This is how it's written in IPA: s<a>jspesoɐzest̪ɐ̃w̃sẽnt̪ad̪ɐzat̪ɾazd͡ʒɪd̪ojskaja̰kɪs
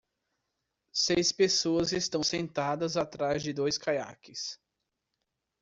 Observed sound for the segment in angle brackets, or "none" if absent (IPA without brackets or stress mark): e